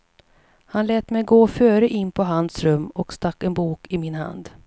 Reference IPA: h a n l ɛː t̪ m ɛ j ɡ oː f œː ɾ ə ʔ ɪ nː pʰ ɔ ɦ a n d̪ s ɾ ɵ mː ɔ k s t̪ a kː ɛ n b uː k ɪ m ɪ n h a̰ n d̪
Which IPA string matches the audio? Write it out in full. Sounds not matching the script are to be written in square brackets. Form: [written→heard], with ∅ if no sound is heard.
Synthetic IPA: h a n l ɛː t̪ m ɛ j ɡ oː f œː ɾ ə ʔ ɪ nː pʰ ɔ ɦ a n d̪ s ɾ ɵ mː ɔ k s t̪ a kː ɛ n b uː k ɪ m ɪ n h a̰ n d̪